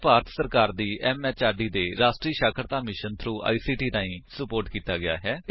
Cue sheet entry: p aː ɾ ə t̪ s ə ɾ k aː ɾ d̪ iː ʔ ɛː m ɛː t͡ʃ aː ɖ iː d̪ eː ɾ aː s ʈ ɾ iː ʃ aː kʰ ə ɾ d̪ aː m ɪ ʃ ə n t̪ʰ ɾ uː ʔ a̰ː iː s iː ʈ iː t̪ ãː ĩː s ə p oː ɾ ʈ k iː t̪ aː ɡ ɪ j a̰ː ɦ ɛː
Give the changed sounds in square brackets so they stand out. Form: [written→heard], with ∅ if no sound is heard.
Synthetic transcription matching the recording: p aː ɾ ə t̪ s ə ɾ k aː ɾ d̪ iː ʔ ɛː m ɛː t͡ʃ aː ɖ iː d̪ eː ɾ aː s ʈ ɾ iː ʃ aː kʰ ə ɾ [d̪→t̪] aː m ɪ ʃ ə n t̪ʰ ɾ uː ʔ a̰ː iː s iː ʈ iː t̪ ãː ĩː s ə p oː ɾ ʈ k iː t̪ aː ɡ ɪ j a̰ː ɦ ɛː

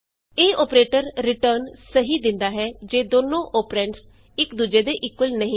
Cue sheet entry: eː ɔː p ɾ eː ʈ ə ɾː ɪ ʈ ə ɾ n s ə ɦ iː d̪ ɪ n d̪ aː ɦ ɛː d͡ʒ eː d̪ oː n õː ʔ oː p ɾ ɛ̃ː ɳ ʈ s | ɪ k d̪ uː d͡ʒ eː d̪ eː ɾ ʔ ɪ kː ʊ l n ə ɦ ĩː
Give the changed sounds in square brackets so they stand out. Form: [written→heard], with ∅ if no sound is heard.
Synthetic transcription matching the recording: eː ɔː p ɾ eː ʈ ə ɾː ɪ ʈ ə ɾ n s ə ɦ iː d̪ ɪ n d̪ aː ɦ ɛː d͡ʒ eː d̪ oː n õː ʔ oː p ɾ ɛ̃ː ɳ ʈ s | ɪ k d̪ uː d͡ʒ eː d̪ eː [ɾ→∅] ʔ ɪ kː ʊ l n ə ɦ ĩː

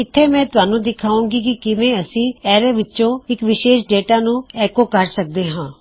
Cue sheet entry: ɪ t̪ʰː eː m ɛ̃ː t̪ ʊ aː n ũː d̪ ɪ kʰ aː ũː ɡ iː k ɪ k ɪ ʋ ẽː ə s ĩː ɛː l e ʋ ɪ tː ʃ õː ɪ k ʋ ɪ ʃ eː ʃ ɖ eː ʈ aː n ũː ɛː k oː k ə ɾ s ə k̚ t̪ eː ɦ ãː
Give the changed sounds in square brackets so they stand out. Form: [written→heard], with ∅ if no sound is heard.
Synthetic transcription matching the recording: ɪ t̪ʰː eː m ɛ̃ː t̪ ʊ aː n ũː d̪ ɪ kʰ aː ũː ɡ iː k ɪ k ɪ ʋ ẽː ə s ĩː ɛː [l→ɾ] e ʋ ɪ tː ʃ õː ɪ k ʋ ɪ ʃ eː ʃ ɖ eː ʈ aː n ũː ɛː k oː k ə ɾ s ə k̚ [t̪→d̪] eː ɦ ãː

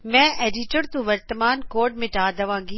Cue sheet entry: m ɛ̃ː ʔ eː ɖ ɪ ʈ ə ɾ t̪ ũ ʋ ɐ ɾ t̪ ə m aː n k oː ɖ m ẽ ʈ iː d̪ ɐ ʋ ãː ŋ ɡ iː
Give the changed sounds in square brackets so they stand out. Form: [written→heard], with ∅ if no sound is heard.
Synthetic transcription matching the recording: m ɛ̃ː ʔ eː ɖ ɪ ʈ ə ɾ t̪ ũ ʋ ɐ ɾ t̪ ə m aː n k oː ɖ m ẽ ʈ [iː→aː] d̪ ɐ ʋ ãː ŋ ɡ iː

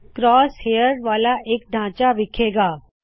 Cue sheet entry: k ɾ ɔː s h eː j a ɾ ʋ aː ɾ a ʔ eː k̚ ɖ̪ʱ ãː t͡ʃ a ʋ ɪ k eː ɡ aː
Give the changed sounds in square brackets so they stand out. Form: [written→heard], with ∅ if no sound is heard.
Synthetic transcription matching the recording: k ɾ ɔː s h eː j [a→ə] ɾ ʋ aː [ɾ→l] a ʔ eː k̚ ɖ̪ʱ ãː t͡ʃ a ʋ ɪ [k→kʰ] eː ɡ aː

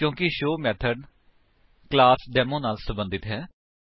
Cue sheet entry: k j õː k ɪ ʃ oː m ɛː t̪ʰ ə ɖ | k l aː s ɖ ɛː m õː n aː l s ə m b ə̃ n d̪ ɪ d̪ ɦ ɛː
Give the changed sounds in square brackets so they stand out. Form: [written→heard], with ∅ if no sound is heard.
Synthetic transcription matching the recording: k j õː k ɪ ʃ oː m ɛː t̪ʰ ə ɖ | k l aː s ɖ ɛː m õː n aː l s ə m b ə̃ n d̪ ɪ [d̪→t̪] ɦ ɛː

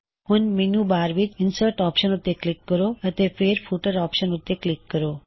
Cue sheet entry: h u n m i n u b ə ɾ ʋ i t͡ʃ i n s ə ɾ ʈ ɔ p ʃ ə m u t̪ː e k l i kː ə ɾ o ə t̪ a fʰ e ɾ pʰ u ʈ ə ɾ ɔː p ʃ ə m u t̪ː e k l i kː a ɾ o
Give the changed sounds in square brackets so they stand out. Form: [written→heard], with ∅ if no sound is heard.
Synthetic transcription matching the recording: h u n m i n u b [ə→a] ɾ ʋ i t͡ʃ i n s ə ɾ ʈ ɔ p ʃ ə [m→n] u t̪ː e k l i kː ə ɾ o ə t̪ [a→e] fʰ e ɾ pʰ u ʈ ə ɾ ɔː p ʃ ə [m→n] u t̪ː e k l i kː [a→ə] ɾ o

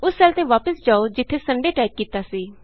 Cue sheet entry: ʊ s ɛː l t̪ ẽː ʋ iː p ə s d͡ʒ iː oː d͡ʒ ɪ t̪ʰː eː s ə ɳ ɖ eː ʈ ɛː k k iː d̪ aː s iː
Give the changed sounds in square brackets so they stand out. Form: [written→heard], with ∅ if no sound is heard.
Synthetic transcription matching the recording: ʊ s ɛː l t̪ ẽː ʋ [iː→aː] p ə s d͡ʒ [iː→aː] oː d͡ʒ ɪ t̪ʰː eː s ə ɳ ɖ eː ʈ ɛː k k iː [d̪→t̪] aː s iː

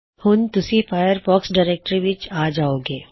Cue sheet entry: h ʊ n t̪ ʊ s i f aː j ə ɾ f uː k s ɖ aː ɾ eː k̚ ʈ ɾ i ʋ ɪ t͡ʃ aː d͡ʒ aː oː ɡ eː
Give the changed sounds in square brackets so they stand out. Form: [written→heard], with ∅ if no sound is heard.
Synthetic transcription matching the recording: h ʊ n t̪ ʊ s i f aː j ə ɾ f [uː→ɔː] k s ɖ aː ɾ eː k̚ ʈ ɾ i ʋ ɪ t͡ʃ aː d͡ʒ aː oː ɡ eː

